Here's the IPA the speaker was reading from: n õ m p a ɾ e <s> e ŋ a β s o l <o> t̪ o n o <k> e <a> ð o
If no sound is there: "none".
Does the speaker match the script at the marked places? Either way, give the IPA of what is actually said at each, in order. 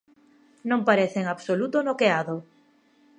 θ, u, k, a

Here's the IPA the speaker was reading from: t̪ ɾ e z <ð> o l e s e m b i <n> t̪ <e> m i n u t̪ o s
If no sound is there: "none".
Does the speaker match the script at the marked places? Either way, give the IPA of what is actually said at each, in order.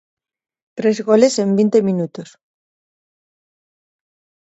ɣ, n, e

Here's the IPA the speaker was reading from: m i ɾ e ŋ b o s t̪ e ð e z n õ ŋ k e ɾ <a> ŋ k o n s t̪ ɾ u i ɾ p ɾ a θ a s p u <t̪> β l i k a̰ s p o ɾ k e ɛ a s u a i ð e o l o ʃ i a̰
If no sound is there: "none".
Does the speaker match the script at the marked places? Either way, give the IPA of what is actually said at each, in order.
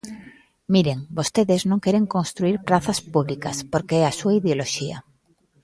e, none

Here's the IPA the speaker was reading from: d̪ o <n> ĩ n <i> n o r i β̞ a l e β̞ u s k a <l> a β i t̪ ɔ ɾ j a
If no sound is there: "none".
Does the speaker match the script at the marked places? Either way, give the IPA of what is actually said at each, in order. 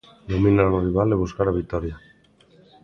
m, a, ɾ

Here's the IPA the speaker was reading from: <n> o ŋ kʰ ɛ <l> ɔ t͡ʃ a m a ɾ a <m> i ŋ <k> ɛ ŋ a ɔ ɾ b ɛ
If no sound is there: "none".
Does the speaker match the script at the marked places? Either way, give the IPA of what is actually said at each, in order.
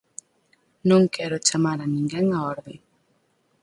n, ɾ, n, ɡ

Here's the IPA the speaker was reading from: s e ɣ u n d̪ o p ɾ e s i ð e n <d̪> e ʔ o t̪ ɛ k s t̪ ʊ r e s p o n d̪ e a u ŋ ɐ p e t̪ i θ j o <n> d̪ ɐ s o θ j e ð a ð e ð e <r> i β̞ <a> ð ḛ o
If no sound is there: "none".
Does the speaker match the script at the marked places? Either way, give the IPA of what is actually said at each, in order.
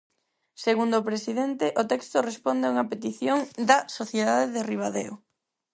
t̪, ŋ, r, a

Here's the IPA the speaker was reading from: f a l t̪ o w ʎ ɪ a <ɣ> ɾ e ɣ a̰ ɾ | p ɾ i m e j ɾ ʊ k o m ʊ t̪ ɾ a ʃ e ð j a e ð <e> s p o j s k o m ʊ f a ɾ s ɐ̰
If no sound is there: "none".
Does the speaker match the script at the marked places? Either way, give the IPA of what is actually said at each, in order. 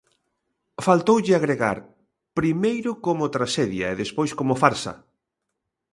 ɣ, e

